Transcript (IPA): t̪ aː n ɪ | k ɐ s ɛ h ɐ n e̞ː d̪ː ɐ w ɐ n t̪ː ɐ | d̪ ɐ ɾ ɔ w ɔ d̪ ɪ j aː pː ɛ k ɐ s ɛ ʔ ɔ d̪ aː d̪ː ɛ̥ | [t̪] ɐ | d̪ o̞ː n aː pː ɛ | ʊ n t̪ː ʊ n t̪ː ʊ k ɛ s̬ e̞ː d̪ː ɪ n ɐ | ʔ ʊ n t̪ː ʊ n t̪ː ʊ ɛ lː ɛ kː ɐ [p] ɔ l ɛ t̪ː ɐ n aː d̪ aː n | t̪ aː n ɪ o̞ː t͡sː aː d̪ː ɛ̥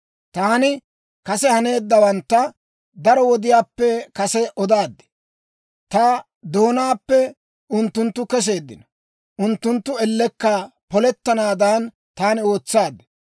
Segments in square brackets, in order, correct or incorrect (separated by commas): correct, correct